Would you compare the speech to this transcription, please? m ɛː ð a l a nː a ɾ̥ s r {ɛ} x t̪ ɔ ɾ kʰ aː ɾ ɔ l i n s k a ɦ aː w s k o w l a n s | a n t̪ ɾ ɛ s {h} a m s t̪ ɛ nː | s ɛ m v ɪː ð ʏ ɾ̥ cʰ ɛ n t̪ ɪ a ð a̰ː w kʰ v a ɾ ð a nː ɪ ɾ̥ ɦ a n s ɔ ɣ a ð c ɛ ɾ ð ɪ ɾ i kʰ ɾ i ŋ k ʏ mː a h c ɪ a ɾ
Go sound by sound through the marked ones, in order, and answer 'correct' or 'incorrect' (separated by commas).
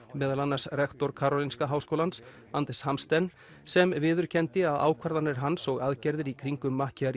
correct, correct